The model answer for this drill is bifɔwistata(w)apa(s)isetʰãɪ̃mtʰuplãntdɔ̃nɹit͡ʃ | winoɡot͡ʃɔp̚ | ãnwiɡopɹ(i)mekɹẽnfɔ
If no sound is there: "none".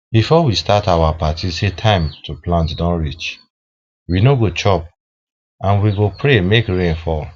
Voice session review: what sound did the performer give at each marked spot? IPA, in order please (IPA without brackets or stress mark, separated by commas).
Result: w, t, e